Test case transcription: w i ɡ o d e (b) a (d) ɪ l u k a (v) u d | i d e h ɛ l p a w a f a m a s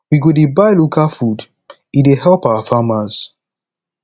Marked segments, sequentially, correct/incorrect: correct, incorrect: none, incorrect: f

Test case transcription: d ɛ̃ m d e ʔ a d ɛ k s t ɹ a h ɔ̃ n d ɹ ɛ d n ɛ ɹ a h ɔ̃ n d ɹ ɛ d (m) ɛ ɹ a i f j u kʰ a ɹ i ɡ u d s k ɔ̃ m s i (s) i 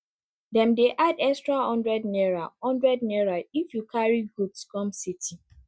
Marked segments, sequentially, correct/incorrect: incorrect: n, incorrect: t

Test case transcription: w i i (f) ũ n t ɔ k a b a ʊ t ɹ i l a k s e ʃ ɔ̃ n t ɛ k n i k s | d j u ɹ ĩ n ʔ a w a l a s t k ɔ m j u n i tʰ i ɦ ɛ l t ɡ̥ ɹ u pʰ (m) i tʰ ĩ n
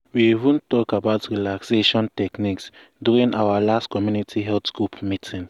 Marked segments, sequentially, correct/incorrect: incorrect: v, correct

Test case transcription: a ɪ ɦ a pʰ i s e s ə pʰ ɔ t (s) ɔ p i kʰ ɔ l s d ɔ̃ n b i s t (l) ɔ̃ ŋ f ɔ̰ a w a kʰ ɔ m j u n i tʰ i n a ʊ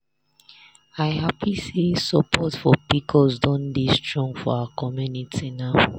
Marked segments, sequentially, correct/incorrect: incorrect: f, incorrect: ɹ

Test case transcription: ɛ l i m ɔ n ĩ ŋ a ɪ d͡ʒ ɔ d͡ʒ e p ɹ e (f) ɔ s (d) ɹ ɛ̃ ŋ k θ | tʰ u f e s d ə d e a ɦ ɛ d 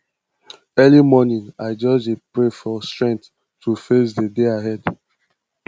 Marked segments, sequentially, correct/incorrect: correct, incorrect: t

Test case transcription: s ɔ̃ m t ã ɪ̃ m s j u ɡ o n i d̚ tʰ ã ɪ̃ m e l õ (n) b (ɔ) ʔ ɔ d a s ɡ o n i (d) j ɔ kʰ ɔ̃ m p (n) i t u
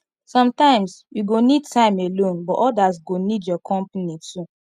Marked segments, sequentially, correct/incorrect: correct, correct, correct, correct

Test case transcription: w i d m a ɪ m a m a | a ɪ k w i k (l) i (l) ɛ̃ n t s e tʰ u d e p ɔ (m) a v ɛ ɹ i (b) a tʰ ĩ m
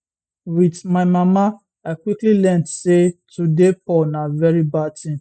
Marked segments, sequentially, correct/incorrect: correct, correct, incorrect: n, correct

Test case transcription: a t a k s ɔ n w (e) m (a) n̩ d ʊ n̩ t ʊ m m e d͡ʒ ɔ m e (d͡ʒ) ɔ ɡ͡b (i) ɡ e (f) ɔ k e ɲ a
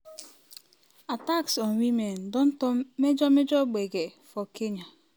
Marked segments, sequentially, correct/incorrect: incorrect: i, incorrect: e, correct, incorrect: e, correct

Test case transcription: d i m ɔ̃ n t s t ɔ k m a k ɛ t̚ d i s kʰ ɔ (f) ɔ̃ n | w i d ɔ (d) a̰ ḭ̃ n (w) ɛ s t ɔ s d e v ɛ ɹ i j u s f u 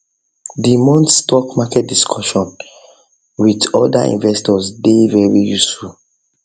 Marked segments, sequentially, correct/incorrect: incorrect: ʃ, correct, incorrect: v

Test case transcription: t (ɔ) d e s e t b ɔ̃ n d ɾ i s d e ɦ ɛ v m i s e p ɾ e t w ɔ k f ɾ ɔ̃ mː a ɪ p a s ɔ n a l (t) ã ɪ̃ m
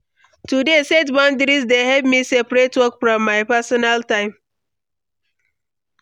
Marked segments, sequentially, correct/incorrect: incorrect: u, correct

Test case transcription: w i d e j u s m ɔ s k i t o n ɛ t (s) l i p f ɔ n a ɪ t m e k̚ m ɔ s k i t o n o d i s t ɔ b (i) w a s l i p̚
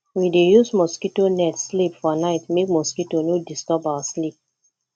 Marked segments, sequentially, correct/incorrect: correct, incorrect: a

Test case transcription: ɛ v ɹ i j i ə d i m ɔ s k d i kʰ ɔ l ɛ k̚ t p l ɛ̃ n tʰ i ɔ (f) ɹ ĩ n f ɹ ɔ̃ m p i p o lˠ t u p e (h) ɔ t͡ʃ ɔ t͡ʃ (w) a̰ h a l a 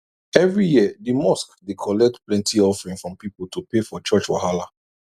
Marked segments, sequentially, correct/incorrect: correct, incorrect: f, correct

